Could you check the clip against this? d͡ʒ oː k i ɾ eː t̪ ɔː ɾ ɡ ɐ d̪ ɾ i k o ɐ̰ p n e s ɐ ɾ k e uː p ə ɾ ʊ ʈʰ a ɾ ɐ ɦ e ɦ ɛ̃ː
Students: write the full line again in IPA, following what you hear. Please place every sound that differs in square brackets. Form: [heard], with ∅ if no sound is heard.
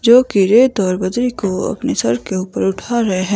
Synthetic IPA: d͡ʒ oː k i ɾ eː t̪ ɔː ɾ [b] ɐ d̪ ɾ i k o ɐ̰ p n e s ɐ ɾ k e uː p ə ɾ ʊ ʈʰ a ɾ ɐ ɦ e ɦ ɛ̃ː